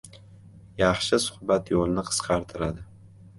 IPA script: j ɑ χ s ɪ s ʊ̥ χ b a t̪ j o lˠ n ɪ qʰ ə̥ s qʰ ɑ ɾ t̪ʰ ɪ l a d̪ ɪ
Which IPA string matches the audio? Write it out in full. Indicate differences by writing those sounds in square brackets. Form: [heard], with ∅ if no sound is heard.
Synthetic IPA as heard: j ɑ χ [ʃ] ɪ s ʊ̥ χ b a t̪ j o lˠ n ɪ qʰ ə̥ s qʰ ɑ ɾ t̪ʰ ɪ [ɾ] a d̪ ɪ